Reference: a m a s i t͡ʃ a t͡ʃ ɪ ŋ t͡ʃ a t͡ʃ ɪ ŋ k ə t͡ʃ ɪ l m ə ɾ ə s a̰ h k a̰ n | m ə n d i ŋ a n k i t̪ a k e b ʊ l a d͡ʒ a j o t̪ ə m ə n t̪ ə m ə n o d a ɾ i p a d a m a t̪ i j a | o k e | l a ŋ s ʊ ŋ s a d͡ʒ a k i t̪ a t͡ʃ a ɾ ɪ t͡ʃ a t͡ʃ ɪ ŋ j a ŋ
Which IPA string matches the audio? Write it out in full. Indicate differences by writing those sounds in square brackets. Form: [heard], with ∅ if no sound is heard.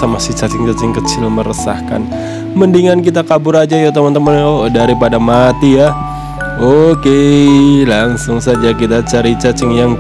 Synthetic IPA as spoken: a m a s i t͡ʃ a t͡ʃ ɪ ŋ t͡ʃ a t͡ʃ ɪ ŋ k ə t͡ʃ ɪ l m ə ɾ ə s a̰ h k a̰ n | m ə n d i ŋ a n k i t̪ a k [a] b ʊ [ɾ] a d͡ʒ a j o t̪ ə m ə n t̪ ə m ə n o d a ɾ i p a d a m a t̪ i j a | o k e | l a ŋ s ʊ ŋ s a d͡ʒ a k i t̪ a t͡ʃ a ɾ [i] t͡ʃ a t͡ʃ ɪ ŋ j a ŋ